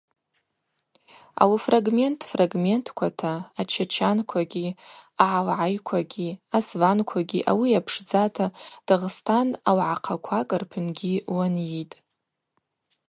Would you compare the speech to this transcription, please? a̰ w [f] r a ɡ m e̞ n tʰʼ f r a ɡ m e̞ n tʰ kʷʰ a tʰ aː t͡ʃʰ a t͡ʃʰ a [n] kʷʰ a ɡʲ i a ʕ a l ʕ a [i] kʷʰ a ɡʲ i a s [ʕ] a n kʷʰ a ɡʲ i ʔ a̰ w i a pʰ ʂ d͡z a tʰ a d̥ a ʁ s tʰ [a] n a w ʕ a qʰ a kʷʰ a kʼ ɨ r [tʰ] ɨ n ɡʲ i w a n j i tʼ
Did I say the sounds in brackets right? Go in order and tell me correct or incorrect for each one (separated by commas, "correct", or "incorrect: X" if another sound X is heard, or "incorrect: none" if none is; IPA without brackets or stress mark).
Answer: correct, correct, incorrect: j, incorrect: v, correct, incorrect: pʰ